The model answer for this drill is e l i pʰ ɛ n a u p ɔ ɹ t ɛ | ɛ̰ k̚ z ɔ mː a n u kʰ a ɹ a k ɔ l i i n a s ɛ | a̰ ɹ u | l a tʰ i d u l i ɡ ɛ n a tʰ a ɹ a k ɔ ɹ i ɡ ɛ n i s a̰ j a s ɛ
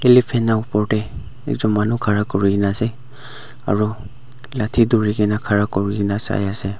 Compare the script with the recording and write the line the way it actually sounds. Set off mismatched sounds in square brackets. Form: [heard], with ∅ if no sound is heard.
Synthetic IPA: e l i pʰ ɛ n a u p ɔ ɹ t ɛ | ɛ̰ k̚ z ɔ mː a n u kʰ a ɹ a k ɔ [ɹ] i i n a s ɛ | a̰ ɹ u | l a tʰ i d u [ɹ] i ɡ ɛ n a [kʰ] a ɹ a k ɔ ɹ i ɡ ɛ n [a] s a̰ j a s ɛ